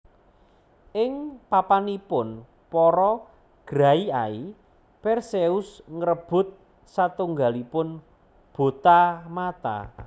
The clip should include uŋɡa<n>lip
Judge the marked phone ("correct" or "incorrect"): incorrect